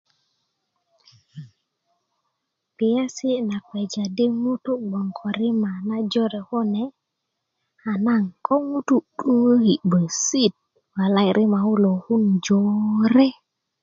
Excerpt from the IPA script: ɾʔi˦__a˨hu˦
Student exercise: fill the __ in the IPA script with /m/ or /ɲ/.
m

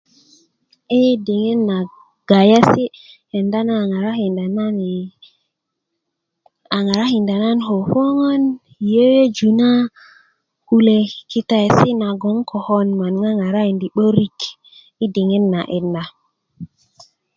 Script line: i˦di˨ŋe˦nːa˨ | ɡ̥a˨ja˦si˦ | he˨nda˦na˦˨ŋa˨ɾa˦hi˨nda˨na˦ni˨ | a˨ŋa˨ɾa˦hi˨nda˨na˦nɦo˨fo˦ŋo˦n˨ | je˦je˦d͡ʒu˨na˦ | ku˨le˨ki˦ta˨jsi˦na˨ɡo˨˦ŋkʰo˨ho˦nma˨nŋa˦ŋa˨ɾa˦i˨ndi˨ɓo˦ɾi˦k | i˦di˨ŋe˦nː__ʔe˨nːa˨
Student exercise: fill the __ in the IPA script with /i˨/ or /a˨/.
a˨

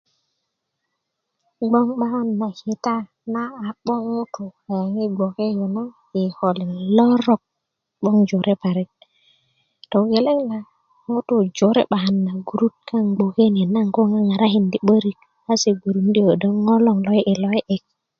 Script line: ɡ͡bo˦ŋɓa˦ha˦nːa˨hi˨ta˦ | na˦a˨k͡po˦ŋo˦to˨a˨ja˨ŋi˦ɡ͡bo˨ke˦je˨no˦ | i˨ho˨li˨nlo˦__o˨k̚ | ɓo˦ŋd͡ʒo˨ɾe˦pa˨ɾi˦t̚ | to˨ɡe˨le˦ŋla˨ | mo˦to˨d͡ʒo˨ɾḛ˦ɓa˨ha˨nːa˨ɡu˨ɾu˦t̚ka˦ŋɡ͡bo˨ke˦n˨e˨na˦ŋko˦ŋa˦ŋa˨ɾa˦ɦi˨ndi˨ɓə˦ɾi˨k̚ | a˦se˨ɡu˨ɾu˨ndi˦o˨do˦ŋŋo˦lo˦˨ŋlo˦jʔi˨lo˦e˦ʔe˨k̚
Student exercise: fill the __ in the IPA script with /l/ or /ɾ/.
ɾ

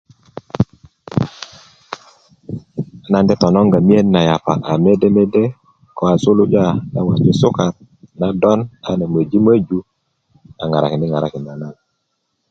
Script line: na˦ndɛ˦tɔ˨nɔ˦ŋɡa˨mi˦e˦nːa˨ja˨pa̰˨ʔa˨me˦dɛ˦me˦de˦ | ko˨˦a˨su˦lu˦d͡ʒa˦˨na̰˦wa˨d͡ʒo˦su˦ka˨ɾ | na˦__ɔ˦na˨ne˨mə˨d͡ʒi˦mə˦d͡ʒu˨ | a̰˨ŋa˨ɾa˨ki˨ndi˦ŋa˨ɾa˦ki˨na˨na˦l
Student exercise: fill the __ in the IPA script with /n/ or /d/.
d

